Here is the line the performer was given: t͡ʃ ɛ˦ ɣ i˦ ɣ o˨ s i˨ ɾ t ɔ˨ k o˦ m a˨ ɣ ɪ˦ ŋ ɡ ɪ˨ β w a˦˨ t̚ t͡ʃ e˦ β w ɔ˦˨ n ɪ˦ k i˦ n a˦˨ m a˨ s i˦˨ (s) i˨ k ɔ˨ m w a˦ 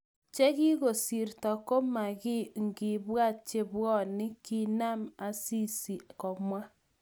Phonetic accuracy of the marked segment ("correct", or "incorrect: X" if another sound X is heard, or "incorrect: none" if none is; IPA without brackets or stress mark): correct